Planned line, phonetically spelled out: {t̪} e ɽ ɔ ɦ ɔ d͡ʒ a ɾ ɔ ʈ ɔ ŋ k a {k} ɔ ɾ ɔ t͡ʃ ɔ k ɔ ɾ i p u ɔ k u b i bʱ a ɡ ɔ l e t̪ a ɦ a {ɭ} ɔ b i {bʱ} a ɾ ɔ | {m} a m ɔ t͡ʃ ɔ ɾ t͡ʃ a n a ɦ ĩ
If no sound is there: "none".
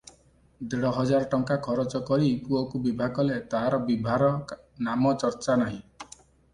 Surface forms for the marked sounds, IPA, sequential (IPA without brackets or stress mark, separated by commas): d̪, kʰ, ɾ, bʱ, n